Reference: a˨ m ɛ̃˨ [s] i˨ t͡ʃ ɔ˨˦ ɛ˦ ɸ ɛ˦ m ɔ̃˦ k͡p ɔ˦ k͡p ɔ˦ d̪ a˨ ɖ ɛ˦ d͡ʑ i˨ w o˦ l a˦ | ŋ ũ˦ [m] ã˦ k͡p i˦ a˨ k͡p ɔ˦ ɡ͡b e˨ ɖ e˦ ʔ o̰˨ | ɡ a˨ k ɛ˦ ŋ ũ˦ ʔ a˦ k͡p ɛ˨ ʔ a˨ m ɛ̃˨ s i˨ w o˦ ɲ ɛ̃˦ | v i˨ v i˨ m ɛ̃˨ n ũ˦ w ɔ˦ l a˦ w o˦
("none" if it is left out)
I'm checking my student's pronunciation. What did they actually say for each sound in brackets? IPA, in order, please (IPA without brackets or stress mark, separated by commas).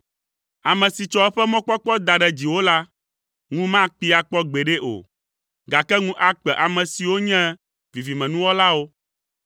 s, m